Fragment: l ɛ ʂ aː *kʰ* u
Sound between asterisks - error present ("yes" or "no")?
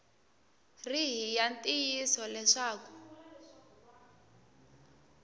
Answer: yes